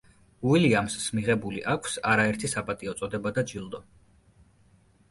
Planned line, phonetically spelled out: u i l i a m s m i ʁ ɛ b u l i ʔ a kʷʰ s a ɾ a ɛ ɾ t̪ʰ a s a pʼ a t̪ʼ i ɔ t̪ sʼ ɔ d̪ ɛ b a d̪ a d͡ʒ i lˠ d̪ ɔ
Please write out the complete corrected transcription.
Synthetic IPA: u i l i a m s m i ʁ ɛ b u l i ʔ a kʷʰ s a ɾ a ɛ ɾ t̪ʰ i s a pʼ a t̪ʼ i ɔ t̪ sʼ ɔ d̪ ɛ b a d̪ a d͡ʒ i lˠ d̪ ɔ